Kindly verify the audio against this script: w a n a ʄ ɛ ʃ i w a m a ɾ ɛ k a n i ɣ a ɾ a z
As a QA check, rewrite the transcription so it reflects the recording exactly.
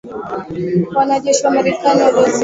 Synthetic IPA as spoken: w a n a ʄ ɛ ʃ i w a m a ɾ ɛ k a n i w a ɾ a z